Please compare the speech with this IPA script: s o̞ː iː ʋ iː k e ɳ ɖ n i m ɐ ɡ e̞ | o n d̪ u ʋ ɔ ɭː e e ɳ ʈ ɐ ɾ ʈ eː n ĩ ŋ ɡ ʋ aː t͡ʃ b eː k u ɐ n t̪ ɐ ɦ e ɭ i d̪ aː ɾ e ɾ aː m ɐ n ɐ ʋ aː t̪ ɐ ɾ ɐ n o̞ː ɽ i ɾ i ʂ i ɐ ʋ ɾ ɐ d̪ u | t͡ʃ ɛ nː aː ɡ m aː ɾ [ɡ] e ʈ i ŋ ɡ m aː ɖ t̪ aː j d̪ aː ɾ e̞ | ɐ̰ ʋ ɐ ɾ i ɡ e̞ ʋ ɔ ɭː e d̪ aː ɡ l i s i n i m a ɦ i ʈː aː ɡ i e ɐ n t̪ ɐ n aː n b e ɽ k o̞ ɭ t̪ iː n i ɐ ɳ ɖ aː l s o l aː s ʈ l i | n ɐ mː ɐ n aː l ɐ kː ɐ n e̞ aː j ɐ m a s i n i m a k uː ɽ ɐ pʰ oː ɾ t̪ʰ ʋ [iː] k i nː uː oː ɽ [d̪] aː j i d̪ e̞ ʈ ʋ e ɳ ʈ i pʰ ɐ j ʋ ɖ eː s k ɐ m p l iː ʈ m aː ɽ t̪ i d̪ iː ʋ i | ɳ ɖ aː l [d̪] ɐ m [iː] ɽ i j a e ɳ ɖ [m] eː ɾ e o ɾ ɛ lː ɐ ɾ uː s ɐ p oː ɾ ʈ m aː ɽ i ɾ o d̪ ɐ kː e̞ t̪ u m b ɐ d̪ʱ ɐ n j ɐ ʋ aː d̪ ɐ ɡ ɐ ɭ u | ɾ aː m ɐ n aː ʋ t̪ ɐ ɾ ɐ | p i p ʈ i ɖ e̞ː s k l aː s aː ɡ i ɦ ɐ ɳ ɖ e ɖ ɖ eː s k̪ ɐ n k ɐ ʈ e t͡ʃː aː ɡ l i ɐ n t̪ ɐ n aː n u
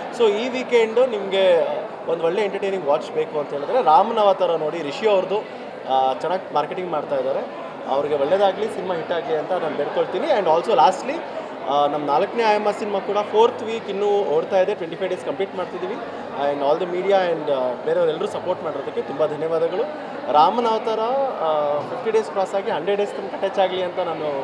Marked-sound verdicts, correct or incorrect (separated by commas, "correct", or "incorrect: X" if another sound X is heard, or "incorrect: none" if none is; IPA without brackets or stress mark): incorrect: k, correct, incorrect: t̪, correct, correct, incorrect: b